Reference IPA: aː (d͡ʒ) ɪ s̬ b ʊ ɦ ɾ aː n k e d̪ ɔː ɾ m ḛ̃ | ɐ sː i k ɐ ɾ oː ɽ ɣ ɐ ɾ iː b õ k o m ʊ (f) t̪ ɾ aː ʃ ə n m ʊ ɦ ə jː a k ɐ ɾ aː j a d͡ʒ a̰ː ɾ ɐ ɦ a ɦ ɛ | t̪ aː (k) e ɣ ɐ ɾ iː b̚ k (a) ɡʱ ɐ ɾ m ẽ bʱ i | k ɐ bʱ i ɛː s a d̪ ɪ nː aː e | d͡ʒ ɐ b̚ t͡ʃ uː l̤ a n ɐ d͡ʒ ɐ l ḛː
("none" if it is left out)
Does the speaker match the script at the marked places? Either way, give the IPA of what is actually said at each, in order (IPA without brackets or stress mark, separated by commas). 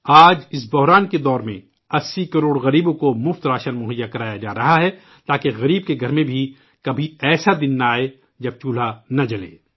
d͡ʒ, f, k, e